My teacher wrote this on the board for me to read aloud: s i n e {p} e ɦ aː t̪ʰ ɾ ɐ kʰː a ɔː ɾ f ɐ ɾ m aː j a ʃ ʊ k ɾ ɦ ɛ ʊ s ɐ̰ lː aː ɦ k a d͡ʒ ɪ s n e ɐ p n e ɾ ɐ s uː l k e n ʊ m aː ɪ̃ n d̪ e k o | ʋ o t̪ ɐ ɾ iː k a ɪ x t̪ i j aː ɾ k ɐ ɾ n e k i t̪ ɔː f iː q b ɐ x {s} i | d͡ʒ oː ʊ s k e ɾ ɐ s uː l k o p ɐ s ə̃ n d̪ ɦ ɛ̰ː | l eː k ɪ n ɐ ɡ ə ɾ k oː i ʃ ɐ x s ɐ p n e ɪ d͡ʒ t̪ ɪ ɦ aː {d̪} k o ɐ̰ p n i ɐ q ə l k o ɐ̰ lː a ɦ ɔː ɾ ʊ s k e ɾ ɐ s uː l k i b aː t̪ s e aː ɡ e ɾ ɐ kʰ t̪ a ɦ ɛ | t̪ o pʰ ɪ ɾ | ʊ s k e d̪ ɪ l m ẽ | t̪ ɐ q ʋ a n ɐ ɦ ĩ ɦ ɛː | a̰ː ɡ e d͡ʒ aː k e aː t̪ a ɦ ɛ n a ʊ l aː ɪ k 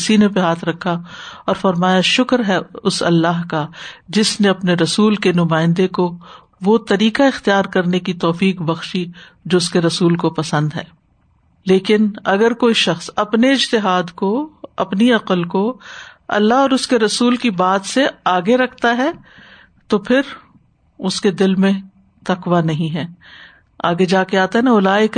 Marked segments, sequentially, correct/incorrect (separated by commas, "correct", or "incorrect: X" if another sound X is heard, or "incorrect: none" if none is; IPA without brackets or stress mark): correct, incorrect: ʃ, correct